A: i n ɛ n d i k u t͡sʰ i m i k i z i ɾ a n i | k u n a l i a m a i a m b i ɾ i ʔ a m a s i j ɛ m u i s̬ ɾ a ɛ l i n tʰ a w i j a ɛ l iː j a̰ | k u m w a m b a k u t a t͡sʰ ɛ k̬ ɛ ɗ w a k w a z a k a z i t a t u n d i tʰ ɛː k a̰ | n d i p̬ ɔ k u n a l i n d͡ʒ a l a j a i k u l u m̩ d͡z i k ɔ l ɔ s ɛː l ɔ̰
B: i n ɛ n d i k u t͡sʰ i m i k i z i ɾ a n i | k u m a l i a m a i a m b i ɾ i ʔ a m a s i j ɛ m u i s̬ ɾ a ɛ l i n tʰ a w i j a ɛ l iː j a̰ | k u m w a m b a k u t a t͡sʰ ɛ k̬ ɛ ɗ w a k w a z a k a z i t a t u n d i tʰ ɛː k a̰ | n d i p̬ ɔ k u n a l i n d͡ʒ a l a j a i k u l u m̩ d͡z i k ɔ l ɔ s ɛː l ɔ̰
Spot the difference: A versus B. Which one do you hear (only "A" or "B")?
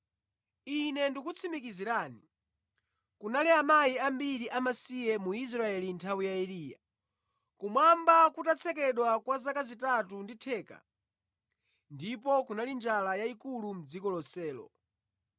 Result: A